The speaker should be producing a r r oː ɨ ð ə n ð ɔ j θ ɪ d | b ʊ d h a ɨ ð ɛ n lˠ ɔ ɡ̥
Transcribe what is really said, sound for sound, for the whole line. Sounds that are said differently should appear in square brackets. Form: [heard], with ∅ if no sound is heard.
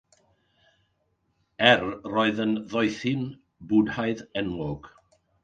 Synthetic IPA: [ɛ] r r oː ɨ ð ə n ð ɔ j θ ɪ [n] | b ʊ d h a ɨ ð ɛ n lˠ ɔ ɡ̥